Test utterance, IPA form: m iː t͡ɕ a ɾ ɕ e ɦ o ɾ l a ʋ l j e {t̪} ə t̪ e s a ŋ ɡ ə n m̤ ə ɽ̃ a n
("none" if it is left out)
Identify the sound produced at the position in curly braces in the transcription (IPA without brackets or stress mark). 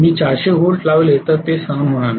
t̪